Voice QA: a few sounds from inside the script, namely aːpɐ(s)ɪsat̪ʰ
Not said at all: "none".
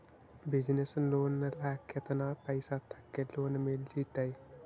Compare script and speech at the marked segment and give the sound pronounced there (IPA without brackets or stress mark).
none